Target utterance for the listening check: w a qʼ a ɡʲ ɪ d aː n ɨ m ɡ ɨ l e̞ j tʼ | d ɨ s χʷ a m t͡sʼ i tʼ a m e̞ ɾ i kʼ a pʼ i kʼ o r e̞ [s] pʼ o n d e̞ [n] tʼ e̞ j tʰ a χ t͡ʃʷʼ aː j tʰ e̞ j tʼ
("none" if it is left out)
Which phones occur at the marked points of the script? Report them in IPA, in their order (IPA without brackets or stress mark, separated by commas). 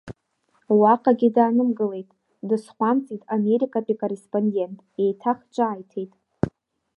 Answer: s, n